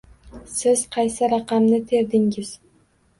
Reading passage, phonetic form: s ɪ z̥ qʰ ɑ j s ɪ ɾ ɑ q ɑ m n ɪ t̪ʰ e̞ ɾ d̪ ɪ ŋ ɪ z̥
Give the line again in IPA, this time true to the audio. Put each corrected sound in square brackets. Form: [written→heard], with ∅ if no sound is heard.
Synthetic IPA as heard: s ɪ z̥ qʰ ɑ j s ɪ ɾ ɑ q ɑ m n ɪ t̪ʰ e̞ ɾ d̪ ɪ ŋ ɪ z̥